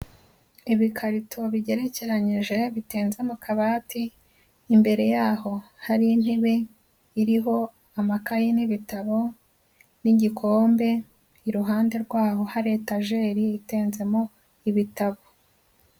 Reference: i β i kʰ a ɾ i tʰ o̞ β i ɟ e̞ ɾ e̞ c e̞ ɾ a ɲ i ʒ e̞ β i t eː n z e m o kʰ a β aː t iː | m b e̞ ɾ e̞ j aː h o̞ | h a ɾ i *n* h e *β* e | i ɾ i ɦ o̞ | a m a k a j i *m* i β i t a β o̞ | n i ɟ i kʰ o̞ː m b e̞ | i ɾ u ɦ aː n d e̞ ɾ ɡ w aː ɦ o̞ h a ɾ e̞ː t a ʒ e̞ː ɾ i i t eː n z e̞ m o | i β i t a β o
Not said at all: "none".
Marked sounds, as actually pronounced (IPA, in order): n, β, n

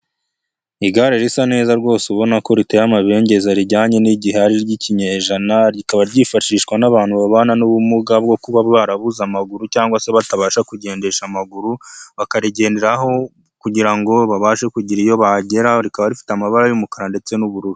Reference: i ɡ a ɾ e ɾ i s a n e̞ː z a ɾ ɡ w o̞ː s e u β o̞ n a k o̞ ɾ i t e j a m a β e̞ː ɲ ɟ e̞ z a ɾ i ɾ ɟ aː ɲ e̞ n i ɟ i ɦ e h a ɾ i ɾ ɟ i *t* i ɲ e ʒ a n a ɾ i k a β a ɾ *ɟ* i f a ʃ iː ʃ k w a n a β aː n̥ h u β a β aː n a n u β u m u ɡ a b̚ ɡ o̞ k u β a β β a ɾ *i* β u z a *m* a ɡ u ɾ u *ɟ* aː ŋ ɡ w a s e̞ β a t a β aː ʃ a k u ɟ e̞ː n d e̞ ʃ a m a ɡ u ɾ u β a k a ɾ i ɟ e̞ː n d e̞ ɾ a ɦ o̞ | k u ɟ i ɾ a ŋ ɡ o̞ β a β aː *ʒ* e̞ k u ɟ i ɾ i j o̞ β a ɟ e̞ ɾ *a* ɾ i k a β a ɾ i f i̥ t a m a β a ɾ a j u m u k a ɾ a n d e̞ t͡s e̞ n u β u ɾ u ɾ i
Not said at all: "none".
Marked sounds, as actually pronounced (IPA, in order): c, ɟ, a, m, c, ʃ, a

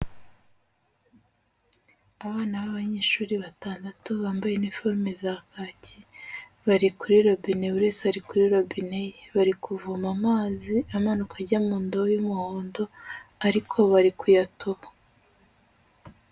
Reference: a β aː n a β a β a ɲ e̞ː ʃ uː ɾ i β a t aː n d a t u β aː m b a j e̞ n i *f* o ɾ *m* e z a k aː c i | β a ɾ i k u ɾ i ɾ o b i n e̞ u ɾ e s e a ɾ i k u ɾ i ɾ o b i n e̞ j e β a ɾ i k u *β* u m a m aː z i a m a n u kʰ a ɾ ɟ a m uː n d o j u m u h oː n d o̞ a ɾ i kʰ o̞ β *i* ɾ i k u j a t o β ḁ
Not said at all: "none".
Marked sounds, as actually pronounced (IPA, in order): f, m, v, a

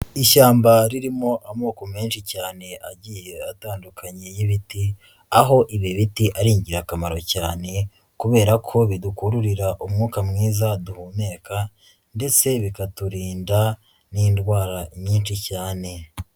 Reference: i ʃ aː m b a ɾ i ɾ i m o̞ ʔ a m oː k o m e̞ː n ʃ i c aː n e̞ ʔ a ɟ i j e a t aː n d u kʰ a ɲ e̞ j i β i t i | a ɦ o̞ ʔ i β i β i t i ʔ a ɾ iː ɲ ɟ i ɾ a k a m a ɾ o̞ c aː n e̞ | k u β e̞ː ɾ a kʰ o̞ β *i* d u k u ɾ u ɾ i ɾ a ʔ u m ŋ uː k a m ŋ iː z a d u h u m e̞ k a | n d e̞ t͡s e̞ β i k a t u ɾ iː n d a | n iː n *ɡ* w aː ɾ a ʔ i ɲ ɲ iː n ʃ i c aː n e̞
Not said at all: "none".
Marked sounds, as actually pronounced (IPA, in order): i, d

